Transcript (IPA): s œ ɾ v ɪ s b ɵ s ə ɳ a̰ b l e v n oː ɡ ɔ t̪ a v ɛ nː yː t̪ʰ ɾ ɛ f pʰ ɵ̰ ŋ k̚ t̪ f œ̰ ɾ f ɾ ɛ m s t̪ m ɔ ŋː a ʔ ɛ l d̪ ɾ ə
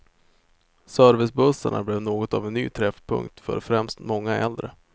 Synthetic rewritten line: s œ ɾ v ɪ s b ɵ s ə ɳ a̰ b l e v n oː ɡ ɔ t̪ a v ɛ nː yː t̪ʰ ɾ ɛ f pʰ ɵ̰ ŋ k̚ t̪ f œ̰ ɾ f ɾ ɛ m s t̪ m ɔ ŋː a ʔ ɛ l d̪ ɾ ə